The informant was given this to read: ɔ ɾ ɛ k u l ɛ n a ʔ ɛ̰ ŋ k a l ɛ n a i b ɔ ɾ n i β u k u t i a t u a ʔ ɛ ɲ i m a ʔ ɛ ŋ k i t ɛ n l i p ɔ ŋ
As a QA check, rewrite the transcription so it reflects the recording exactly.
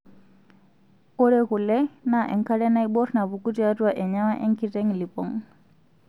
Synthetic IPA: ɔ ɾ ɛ k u l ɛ n a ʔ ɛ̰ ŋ k a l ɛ n a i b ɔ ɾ n a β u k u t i a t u a ʔ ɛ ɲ a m a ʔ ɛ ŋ k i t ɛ ŋ l i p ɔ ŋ